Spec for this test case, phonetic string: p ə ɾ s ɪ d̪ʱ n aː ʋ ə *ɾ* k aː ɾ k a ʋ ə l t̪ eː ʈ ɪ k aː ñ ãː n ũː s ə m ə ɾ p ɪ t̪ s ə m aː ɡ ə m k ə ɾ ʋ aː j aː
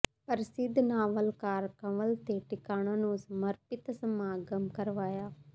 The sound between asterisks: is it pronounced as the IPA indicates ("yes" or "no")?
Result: no